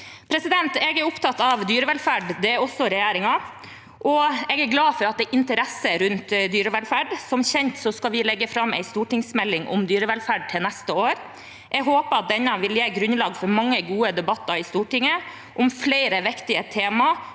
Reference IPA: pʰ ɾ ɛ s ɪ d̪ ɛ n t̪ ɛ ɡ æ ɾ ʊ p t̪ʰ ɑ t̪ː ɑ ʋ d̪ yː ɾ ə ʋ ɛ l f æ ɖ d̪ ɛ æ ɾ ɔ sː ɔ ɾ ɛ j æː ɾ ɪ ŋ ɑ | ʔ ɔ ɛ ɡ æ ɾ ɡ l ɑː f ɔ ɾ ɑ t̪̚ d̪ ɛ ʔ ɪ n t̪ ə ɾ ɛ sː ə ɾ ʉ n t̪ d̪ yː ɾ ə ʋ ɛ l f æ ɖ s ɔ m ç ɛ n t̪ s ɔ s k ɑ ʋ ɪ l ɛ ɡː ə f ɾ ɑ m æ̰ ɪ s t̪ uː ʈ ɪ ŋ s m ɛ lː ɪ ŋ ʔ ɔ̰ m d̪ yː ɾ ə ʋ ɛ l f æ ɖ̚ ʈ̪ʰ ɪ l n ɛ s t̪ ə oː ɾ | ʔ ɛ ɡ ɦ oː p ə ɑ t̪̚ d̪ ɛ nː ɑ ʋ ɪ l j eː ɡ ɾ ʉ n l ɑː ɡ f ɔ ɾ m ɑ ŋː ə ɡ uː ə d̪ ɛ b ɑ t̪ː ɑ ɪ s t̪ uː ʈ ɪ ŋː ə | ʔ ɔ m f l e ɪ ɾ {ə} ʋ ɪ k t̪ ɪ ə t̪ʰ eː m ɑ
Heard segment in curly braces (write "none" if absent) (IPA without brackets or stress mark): ə